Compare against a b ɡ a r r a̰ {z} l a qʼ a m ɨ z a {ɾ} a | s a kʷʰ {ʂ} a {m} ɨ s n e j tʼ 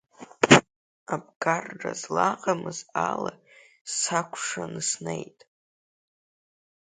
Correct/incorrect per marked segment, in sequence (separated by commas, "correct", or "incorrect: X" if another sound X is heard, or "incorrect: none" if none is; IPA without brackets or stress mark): correct, incorrect: l, correct, incorrect: n